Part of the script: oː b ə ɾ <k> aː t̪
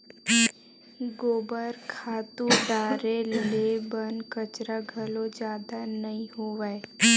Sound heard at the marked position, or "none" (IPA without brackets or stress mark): kʰ